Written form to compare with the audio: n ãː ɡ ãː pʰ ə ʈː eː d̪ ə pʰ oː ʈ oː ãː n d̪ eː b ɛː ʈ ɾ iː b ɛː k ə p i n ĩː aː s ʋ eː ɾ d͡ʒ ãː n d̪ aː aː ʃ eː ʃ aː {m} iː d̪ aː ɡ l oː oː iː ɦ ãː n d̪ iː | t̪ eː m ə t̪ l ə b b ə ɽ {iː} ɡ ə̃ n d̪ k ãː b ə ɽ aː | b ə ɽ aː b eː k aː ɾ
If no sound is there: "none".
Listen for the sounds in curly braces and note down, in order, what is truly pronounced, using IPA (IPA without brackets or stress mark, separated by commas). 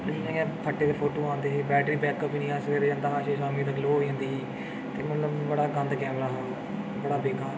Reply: m, aː